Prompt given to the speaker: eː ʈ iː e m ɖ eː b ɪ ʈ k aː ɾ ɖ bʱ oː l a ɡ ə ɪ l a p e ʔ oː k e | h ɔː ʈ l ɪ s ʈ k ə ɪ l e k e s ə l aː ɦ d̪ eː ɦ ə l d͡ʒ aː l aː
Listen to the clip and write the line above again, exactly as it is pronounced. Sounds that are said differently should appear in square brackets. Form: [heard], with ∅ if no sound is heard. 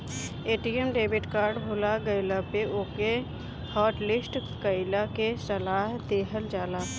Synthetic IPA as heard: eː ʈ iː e m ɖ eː b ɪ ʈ k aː ɾ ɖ bʱ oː l a ɡ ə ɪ l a p e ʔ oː k e | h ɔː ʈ l ɪ s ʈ k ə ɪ l [a] k e s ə l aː ɦ d̪ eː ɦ ə l d͡ʒ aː l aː

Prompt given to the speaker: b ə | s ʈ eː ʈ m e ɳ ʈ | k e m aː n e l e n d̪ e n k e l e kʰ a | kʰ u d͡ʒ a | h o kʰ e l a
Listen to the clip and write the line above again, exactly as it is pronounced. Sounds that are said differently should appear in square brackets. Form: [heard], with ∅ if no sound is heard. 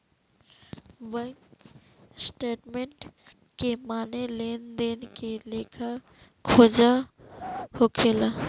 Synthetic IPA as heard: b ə | s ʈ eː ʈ m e ɳ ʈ | k e m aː n e l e n d̪ e n k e l e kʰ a | kʰ [o] d͡ʒ a | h o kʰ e l a

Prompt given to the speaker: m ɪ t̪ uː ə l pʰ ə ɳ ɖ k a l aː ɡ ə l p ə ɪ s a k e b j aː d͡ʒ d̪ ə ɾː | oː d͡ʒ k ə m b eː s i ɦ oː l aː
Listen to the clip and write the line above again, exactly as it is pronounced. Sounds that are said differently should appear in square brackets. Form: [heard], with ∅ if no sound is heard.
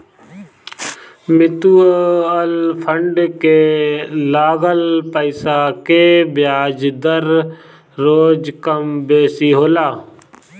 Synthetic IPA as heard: m ɪ t̪ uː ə l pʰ ə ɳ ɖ k [e] l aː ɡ ə l p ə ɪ s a k e b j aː d͡ʒ d̪ ə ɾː | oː d͡ʒ k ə m b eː s i ɦ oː l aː

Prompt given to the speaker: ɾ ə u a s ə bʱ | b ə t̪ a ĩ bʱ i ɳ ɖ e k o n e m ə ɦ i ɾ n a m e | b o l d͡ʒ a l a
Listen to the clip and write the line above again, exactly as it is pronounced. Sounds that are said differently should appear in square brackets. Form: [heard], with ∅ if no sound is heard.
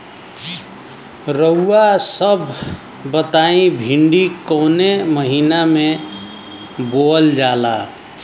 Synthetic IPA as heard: ɾ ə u a s ə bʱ | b ə t̪ a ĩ bʱ i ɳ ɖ [i] k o n e m ə ɦ i [∅] n a m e | b o l d͡ʒ a l a

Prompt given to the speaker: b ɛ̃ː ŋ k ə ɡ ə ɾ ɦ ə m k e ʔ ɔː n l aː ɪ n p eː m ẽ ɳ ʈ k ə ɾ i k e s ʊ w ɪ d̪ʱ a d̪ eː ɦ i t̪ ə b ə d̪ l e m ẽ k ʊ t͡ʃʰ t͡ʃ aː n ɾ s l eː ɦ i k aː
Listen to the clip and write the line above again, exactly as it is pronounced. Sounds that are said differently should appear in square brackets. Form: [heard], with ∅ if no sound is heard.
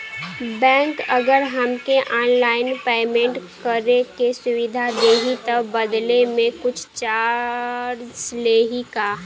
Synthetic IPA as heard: b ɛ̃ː ŋ k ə ɡ ə ɾ ɦ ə m k e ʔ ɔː n l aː ɪ n p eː m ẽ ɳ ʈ k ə ɾ [e] k e s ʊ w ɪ d̪ʱ a d̪ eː ɦ i t̪ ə b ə d̪ l e m ẽ k ʊ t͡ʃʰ t͡ʃ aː [∅] ɾ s l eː ɦ i k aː

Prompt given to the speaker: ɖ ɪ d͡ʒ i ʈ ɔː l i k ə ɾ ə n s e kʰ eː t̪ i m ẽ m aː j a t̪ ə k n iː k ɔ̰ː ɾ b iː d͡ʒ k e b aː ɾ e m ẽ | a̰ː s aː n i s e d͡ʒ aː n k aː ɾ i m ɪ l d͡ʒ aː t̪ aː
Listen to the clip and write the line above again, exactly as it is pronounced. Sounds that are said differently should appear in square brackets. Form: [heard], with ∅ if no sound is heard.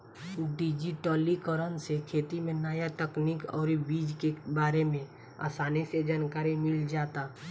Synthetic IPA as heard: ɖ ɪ d͡ʒ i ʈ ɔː l i k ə ɾ ə n s e kʰ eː t̪ i m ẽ [n] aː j a t̪ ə k n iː k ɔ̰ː ɾ b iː d͡ʒ k e b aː ɾ e m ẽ | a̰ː s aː n i s e d͡ʒ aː n k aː ɾ i m ɪ l d͡ʒ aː t̪ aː

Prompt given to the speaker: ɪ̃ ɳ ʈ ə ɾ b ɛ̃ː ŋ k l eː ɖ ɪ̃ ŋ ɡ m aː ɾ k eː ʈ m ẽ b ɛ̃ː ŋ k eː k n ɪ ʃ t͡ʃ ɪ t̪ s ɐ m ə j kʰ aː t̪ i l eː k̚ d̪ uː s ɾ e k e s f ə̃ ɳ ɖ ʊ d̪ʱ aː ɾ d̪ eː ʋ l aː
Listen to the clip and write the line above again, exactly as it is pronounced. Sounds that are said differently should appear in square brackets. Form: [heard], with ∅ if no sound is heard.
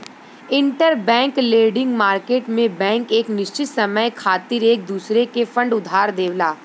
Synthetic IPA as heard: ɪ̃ ɳ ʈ ə ɾ b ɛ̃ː ŋ k l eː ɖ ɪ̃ ŋ ɡ m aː ɾ k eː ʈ m ẽ b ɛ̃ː ŋ k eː k n ɪ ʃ t͡ʃ ɪ t̪ s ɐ m ə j kʰ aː t̪ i [ɾ] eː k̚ d̪ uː s ɾ e k e [∅] f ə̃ ɳ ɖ ʊ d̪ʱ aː ɾ d̪ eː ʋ l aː

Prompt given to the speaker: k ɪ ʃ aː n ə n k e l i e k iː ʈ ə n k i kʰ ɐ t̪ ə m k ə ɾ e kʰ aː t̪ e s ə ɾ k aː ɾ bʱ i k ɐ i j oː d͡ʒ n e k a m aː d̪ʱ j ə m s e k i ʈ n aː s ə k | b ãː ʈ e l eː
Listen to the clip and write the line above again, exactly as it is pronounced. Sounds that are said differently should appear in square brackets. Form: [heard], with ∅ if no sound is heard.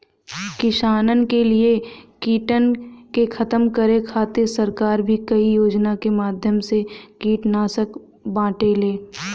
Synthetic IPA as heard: k ɪ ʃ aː n ə n k e l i e k iː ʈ ə n k [e] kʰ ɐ t̪ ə m k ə ɾ e kʰ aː t̪ e s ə ɾ k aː ɾ bʱ i k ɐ i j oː d͡ʒ n [a] k [e] m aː d̪ʱ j ə m s e k [iː] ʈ n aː s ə k | b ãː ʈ e l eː

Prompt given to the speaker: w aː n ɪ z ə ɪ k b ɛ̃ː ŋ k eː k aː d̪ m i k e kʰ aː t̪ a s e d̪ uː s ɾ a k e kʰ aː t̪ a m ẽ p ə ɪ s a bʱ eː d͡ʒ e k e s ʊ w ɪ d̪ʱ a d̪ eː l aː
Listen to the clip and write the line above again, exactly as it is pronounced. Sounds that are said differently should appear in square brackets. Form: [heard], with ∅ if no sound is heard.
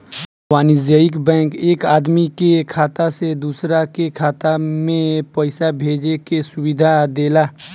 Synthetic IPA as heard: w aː n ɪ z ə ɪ k b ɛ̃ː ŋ k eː k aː d̪ m i k e kʰ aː t̪ a s e d̪ uː s ɾ a k e kʰ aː t̪ a m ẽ p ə ɪ s a bʱ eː d͡ʒ e k e s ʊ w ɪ d̪ʱ a d̪ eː l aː

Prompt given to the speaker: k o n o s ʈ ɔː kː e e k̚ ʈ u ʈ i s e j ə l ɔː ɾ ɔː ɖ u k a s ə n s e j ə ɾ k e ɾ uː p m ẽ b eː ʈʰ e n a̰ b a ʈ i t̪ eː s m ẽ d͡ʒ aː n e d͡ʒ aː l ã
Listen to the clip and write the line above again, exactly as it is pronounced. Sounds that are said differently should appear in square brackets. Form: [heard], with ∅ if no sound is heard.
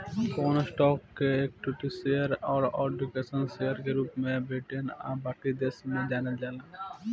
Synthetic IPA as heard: k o n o s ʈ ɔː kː e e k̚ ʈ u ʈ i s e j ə [ɾ] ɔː ɾ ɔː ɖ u k [e] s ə n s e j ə ɾ k e ɾ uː p m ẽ b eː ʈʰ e n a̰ b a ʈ i [d̪] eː s m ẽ d͡ʒ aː n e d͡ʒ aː l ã

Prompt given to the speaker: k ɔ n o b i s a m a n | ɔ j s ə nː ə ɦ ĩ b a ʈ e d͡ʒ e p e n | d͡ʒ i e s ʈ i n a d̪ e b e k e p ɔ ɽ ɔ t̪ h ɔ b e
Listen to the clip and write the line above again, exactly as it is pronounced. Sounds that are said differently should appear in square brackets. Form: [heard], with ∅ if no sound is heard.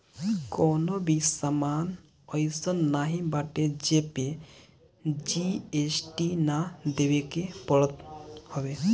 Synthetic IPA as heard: k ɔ n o b i s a m a n | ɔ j s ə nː [a] ɦ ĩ b a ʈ e d͡ʒ e p e [∅] | d͡ʒ i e s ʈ i n a d̪ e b e k e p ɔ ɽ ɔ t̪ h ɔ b e

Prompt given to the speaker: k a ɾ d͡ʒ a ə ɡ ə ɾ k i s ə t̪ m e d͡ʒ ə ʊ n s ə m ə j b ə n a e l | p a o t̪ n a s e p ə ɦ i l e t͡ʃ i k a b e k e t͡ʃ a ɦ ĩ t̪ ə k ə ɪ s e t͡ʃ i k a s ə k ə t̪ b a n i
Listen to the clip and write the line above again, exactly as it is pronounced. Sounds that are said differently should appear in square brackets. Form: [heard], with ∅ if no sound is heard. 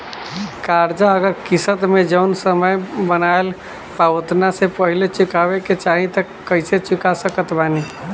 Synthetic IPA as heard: k a ɾ d͡ʒ a ə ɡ ə ɾ k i s ə t̪ m e d͡ʒ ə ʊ n s ə m ə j b ə n a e l | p a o t̪ n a s e p ə ɦ i l e t͡ʃ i k a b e k e t͡ʃ a ɦ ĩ t̪ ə k ə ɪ s e t͡ʃ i k a s ə k ə t̪ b a n i

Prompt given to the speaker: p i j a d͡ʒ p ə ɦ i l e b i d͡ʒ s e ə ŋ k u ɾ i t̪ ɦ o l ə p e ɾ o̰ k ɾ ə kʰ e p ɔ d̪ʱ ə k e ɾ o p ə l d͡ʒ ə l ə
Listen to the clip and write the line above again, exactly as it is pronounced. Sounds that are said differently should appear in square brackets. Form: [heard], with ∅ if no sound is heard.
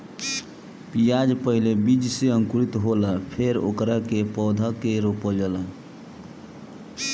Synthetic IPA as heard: p i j a d͡ʒ p ə ɦ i l e b i d͡ʒ s e ə ŋ k u ɾ i t̪ ɦ o l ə [pʰ] e ɾ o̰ k ɾ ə [k] e p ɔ d̪ʱ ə k e ɾ o p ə l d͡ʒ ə l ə

